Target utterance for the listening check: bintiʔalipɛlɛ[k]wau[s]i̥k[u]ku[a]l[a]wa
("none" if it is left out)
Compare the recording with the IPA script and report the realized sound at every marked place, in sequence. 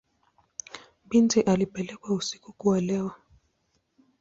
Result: k, s, u, a, ɛ

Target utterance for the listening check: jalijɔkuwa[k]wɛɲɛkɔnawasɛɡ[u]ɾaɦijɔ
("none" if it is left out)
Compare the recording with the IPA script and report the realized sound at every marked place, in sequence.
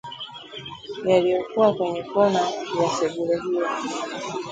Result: k, u

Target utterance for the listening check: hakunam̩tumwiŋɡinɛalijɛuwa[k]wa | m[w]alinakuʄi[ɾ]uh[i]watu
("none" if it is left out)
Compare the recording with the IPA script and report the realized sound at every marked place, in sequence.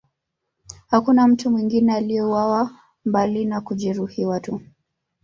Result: none, b, ɾ, i

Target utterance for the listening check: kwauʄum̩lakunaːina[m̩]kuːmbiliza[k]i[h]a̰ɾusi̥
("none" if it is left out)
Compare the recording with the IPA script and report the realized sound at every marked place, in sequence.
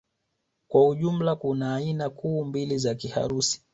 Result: none, k, h

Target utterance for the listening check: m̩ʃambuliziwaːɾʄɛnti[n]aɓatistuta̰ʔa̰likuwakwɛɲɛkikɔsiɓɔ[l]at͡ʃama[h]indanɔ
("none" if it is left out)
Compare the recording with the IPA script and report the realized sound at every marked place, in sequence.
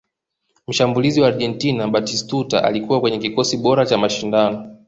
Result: n, ɾ, ʃ

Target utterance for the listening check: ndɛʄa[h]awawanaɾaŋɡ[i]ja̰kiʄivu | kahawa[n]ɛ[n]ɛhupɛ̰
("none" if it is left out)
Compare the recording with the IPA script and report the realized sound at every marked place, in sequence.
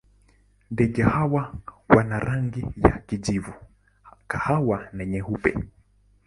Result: h, i, n, ɲ

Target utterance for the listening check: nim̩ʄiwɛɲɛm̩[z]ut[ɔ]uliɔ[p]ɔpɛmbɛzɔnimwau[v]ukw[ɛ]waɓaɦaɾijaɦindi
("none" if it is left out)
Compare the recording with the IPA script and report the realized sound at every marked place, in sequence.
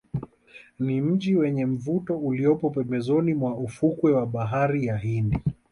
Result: v, ɔ, p, f, ɛ

